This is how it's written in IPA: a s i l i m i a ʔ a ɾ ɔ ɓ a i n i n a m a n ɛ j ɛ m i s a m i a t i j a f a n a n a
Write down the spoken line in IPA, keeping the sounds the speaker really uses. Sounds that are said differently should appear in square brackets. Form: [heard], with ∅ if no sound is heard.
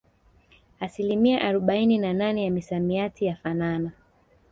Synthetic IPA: a s i l i m i a ʔ a ɾ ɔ ɓ a i n i n a [n] a n ɛ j [a] m i s a m i a t i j a f a n a n a